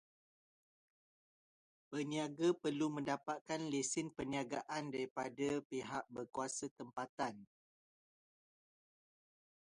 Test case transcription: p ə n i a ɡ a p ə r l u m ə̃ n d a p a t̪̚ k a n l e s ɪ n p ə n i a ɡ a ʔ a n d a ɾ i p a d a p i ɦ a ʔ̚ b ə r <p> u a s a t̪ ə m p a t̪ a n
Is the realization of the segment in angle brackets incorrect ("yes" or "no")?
yes